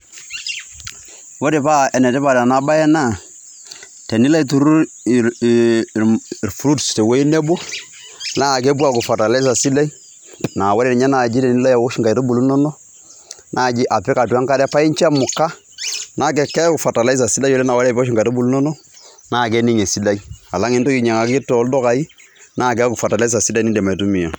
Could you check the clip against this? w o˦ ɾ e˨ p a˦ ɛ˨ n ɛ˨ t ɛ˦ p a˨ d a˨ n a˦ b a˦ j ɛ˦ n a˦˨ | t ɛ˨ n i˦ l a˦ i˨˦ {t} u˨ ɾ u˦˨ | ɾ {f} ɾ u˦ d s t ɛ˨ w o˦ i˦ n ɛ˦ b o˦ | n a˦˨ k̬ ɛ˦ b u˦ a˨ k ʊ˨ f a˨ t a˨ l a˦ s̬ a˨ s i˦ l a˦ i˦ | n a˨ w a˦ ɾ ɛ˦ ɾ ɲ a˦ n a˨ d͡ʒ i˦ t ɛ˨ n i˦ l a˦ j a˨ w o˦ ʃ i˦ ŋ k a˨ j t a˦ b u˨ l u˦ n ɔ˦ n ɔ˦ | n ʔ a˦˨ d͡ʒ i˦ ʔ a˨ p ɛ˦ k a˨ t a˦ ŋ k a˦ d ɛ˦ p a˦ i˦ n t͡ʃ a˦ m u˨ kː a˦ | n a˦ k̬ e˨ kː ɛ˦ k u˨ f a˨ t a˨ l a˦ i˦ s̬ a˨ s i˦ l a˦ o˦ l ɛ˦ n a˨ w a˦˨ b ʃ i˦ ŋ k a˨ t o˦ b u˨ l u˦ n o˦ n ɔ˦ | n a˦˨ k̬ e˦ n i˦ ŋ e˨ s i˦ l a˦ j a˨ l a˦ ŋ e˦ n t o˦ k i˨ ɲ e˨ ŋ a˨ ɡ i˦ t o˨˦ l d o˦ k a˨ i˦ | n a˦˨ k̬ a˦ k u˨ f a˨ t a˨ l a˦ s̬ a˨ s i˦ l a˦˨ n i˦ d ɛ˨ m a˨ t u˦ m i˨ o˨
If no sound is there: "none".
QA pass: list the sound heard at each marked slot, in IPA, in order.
t, f

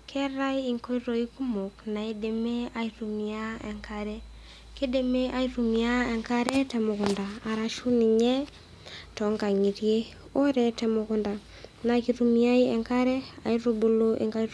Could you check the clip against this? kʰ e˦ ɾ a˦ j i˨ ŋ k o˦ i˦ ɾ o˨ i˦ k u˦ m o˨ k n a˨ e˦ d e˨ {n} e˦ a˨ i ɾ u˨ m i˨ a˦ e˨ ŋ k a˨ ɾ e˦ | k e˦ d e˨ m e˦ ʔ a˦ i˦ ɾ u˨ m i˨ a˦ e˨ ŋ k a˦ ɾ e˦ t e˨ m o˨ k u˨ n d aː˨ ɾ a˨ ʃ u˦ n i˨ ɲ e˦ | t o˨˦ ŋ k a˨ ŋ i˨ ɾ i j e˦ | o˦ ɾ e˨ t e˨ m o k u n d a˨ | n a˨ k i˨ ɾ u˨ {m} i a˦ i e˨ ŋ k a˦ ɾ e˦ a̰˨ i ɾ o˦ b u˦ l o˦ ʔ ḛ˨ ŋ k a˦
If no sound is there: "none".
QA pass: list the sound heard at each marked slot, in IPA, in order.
m, m

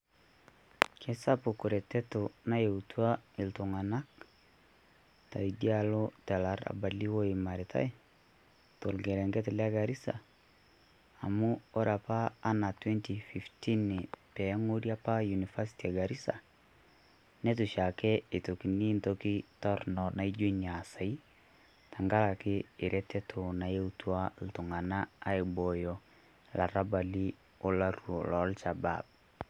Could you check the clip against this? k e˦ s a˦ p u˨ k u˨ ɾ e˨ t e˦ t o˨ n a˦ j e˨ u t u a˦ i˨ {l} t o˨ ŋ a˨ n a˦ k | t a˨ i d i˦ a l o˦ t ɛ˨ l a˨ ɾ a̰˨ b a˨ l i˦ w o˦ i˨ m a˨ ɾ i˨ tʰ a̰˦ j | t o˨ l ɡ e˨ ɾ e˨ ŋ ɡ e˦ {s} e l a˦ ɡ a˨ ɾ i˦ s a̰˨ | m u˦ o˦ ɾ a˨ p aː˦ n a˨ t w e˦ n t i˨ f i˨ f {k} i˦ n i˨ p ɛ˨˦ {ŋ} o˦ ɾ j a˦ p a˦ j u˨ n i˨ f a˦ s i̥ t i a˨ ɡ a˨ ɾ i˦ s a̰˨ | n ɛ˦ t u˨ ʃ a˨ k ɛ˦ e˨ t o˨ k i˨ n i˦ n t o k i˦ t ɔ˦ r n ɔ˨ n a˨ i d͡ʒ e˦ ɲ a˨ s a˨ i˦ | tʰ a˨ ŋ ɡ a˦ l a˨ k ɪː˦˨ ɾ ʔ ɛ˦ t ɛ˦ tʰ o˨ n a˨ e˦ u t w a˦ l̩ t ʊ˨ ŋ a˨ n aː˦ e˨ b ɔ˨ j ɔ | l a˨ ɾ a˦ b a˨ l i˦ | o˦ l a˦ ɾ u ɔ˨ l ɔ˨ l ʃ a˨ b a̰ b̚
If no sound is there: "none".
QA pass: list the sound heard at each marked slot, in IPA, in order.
l, t, t, ŋ

